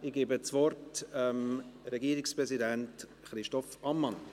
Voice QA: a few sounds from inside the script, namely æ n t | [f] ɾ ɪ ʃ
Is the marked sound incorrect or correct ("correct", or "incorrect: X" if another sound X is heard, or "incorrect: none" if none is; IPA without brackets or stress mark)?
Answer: incorrect: χ